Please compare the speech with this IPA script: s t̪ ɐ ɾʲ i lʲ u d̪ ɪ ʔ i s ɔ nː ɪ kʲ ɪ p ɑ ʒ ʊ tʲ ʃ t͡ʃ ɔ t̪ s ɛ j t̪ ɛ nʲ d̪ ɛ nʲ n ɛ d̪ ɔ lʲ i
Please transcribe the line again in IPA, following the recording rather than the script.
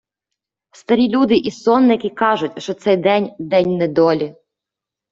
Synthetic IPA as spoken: s t̪ ɐ ɾʲ i lʲ u d̪ ɪ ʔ i s ɔ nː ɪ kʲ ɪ k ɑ ʒ ʊ tʲ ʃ t͡ʃ ɔ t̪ s ɛ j d̪ ɛ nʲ d̪ ɛ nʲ n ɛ d̪ ɔ lʲ i